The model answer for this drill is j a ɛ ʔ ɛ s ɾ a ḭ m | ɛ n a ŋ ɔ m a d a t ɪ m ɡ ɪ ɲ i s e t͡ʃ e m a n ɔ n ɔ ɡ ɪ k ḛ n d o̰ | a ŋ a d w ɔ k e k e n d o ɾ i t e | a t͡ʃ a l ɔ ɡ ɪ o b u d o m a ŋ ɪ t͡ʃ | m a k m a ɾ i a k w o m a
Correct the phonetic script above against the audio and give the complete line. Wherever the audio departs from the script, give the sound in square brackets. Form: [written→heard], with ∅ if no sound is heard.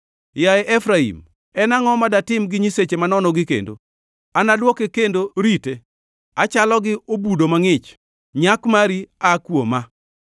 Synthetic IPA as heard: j a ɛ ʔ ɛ [s→f] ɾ a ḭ m | ɛ n a ŋ ɔ m a d a t ɪ m ɡ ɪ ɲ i s e t͡ʃ e m a n ɔ n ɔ ɡ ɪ k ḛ n d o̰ | a [ŋ→n] a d w ɔ k e k e n d o ɾ i t e | a t͡ʃ a l ɔ ɡ ɪ o b u d o m a ŋ ɪ t͡ʃ | [m→ɲ] a k m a ɾ i a k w o m a